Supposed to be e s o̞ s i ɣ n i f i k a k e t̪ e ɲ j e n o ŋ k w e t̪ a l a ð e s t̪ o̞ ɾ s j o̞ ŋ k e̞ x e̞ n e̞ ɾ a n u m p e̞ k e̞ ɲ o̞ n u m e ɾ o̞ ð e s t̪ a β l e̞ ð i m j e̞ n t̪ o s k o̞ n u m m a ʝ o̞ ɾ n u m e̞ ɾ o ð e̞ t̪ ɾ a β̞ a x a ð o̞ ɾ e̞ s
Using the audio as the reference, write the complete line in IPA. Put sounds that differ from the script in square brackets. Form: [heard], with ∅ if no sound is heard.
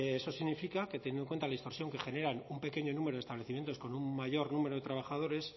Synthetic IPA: e s o̞ s i ɣ n i f i k a k e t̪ e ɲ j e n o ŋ k w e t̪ a l a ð [i] s t̪ o̞ ɾ s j o̞ ŋ k e̞ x e̞ n e̞ ɾ a n u m p e̞ k e̞ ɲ o̞ n u m e ɾ o̞ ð e s t̪ a β l e̞ [θ] i m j e̞ n t̪ o s k o̞ n u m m a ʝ o̞ ɾ n u m e̞ ɾ o ð e̞ t̪ ɾ a β̞ a x a ð o̞ ɾ e̞ s